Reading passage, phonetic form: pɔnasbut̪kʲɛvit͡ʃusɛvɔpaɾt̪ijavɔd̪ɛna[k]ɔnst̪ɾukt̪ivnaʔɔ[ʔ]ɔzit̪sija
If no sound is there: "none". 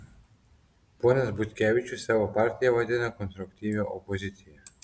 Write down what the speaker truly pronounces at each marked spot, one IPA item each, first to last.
k, p

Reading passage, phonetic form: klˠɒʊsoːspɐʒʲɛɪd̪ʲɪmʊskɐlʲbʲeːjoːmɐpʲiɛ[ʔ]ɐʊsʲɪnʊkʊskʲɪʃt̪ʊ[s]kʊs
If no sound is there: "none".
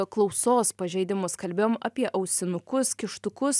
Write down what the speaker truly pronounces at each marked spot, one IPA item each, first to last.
ʔ, none

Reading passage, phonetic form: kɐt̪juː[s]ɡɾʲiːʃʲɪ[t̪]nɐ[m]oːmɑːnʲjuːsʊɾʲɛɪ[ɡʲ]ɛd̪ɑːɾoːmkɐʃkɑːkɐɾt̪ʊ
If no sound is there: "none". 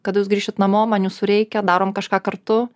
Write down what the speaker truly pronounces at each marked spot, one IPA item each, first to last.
s, t̪, m, kʲ

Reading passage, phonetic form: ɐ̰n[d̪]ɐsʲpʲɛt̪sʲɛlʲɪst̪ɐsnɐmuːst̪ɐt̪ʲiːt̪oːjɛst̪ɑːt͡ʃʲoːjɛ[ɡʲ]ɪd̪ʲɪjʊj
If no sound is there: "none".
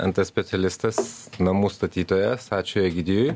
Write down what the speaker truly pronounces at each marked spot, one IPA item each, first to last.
t̪, ɡʲ

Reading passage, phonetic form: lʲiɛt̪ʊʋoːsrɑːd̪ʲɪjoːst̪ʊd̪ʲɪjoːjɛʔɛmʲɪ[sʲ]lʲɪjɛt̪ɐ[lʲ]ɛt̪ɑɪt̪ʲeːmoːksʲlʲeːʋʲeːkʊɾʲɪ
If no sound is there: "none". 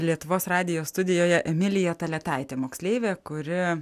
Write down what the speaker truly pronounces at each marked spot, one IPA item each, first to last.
none, lʲ

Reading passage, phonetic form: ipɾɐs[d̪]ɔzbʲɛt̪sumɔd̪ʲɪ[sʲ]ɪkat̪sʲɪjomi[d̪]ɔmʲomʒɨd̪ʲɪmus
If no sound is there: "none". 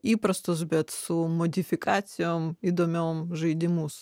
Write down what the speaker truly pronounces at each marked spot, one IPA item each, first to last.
t̪, fʲ, d̪

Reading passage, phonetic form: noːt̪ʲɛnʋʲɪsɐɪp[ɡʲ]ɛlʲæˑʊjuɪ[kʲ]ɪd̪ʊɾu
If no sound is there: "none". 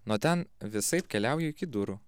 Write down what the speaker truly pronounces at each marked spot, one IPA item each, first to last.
kʲ, kʲ

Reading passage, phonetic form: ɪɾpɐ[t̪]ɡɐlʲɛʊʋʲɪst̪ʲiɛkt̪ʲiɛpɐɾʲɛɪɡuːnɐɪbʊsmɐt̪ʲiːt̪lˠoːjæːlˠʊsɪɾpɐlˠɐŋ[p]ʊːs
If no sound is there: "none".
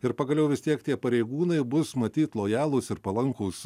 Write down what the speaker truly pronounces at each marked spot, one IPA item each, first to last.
none, k

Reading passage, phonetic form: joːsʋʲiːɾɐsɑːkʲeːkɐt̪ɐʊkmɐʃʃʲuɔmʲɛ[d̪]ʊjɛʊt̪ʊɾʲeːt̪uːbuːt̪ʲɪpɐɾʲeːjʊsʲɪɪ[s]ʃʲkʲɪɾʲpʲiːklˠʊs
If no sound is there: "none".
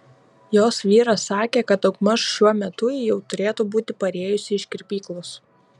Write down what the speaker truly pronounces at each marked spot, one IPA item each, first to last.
t̪, none

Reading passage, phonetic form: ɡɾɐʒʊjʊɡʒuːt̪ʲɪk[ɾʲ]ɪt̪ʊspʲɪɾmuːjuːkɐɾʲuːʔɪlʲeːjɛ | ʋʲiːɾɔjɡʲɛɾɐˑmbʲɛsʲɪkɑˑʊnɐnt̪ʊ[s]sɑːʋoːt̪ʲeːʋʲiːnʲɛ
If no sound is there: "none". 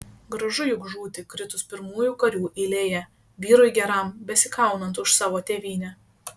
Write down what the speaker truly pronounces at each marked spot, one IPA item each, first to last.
ɾʲ, ʃ

